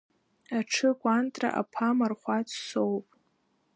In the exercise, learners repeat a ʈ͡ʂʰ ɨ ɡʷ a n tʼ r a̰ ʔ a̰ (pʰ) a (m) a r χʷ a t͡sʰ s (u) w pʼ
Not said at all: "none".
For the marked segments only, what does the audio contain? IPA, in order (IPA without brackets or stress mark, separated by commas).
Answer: pʰ, m, o